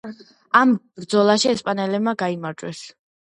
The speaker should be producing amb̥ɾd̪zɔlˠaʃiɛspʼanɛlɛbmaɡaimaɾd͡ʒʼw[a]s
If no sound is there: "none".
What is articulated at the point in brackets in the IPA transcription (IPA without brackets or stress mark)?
ɛ